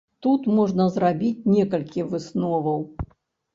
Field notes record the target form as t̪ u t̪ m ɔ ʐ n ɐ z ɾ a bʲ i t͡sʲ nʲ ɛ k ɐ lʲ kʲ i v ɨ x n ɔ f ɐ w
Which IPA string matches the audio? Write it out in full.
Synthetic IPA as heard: t̪ u t̪ m ɔ ʐ n ɐ z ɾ a bʲ i t͡sʲ nʲ ɛ k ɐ lʲ kʲ i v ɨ s n ɔ v ɐ w